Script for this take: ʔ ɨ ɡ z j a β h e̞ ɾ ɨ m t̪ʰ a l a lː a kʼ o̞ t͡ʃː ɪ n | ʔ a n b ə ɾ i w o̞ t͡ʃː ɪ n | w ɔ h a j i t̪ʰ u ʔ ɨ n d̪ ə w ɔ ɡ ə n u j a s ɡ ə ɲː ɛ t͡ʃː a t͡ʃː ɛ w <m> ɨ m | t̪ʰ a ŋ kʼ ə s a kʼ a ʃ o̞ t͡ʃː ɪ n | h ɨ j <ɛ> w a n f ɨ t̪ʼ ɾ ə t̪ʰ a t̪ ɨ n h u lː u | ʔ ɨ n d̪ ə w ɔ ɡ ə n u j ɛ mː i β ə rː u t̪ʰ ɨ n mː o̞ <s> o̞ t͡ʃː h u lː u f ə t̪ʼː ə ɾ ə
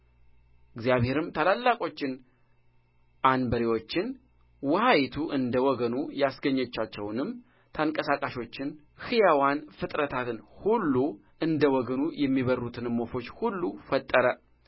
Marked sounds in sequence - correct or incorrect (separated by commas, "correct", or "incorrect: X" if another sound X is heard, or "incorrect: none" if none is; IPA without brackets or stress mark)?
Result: incorrect: n, incorrect: a, incorrect: f